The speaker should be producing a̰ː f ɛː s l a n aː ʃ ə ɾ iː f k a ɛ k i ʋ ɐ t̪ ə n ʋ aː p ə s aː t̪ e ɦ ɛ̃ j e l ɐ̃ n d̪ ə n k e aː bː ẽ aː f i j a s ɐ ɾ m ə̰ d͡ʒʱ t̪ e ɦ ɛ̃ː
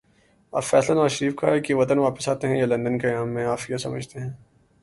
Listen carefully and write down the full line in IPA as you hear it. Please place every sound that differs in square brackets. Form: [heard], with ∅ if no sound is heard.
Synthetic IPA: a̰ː f ɛː s l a n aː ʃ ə ɾ iː f k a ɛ k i ʋ ɐ t̪ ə n ʋ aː p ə s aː t̪ e ɦ ɛ̃ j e l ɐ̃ n d̪ ə n k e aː [mː] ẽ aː f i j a s ɐ [∅] m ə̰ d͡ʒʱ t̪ e ɦ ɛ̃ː